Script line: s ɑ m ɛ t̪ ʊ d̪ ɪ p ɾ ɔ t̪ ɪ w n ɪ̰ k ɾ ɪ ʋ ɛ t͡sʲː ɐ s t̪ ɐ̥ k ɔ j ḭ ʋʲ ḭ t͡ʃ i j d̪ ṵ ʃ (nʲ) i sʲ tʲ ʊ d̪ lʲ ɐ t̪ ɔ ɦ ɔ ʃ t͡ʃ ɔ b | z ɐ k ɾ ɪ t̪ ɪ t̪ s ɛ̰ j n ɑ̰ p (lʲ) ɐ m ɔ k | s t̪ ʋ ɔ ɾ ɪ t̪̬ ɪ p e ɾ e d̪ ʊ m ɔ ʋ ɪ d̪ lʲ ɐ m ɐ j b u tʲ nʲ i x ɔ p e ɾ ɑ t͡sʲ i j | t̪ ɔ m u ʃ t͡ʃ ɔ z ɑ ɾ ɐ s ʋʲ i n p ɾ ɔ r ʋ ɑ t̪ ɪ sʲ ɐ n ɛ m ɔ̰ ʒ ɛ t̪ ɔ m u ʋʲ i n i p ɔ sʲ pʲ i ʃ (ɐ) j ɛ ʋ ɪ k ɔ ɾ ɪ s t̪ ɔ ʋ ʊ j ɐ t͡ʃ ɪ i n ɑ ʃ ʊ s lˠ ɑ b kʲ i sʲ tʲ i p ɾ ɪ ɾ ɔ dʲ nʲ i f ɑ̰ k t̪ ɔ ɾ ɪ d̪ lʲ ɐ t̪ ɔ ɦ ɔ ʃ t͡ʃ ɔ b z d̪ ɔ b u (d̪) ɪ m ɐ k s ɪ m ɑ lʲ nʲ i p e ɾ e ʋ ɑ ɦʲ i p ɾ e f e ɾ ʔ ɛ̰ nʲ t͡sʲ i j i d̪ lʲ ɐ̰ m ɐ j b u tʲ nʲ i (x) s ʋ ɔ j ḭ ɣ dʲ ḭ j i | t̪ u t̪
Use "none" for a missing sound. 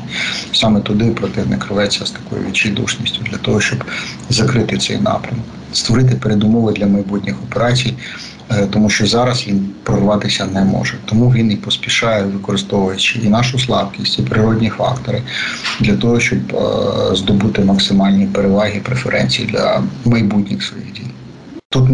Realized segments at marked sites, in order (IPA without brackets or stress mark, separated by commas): nʲ, ɾʲ, ɑ, t̪, x